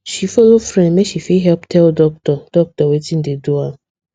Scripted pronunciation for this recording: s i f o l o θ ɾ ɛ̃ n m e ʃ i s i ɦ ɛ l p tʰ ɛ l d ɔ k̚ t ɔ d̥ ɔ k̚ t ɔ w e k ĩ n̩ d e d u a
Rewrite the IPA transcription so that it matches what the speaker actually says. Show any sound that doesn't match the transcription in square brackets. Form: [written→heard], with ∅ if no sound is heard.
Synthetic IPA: [s→ʃ] i f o l o [θ→f] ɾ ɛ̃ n m e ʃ i [s→f] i ɦ ɛ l p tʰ ɛ l d ɔ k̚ t ɔ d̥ ɔ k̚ t ɔ w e [k→t] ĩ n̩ d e d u a